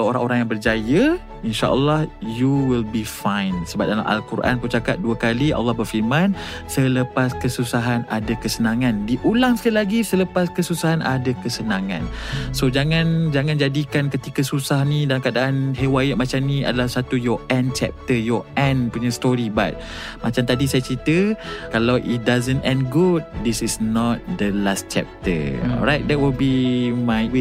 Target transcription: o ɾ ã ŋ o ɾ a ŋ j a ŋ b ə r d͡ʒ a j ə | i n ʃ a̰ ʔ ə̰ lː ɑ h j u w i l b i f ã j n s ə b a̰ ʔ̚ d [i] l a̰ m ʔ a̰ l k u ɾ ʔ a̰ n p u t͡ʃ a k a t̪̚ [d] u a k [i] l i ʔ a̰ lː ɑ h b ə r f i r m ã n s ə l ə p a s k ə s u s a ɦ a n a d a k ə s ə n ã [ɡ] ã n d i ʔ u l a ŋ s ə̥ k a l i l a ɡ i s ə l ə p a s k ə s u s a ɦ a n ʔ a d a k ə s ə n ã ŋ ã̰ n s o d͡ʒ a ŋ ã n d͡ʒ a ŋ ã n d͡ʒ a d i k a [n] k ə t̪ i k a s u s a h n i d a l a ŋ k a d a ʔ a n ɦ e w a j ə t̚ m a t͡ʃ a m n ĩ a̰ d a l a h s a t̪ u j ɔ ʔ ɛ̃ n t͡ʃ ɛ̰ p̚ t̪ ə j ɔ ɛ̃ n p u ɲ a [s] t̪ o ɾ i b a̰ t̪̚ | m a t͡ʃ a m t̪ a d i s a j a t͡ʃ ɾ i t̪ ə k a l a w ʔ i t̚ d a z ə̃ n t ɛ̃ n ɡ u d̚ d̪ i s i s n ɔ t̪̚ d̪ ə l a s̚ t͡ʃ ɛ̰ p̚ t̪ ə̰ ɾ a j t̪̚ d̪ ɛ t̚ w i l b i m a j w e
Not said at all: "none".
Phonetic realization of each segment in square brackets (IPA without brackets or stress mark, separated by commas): a, d, a, ŋ, n, s